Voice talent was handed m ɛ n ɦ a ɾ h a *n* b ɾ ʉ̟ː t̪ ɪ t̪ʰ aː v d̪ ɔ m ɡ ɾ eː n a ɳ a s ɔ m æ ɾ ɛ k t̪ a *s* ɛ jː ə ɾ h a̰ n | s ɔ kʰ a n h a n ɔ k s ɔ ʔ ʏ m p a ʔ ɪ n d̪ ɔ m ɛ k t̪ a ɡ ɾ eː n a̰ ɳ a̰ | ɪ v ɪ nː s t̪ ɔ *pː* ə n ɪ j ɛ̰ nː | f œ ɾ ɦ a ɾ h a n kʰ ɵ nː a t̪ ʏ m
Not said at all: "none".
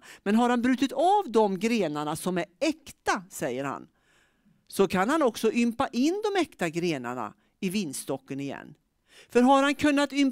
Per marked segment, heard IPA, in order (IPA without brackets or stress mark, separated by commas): n, s, kː